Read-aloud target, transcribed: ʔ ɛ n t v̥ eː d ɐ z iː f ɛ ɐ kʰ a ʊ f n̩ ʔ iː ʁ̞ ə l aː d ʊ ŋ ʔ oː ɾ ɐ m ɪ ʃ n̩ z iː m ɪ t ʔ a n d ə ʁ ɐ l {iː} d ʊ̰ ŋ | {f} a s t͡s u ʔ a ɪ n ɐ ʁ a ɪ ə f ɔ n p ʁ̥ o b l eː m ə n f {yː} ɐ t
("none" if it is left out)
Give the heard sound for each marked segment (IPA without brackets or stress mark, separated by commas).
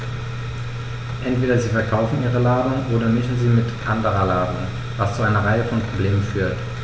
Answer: aː, v, yː